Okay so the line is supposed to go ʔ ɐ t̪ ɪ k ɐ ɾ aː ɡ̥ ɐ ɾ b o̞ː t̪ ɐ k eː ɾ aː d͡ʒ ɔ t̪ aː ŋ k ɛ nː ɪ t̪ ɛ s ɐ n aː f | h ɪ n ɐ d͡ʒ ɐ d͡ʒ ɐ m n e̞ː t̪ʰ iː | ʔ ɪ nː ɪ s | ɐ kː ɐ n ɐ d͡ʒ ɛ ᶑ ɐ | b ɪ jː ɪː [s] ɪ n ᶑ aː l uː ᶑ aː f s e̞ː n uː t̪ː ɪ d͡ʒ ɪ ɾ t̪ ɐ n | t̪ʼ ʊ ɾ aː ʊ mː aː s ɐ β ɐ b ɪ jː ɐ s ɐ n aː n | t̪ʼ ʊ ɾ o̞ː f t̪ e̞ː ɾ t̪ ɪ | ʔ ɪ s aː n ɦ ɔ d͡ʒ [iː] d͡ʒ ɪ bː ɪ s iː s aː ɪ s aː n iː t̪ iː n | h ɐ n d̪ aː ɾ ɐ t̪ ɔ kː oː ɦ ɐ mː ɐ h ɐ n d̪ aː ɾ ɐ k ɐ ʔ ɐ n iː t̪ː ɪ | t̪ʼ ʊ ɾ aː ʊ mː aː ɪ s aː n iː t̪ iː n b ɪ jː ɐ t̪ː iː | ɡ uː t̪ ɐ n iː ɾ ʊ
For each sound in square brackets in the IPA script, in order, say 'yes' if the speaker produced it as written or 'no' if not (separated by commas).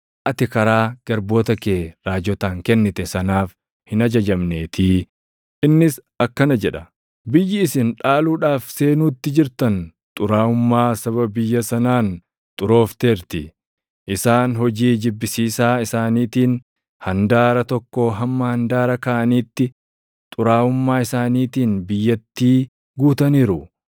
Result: yes, yes